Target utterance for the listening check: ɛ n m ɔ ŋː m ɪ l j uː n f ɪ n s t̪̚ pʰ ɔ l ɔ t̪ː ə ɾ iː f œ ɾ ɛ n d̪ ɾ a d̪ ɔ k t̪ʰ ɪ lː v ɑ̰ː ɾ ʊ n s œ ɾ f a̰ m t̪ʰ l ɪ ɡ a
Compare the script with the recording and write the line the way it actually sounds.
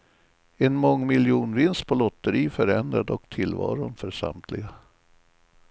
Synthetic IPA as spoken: ɛ n m ɔ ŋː m ɪ l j uː n v ɪ n s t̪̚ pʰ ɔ l ɔ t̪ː ə ɾ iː f œ ɾ ɛ n d̪ ɾ a d̪ ɔ k t̪ʰ ɪ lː v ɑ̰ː ɾ ʊ n f œ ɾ ʂ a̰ m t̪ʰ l ɪ ɡ a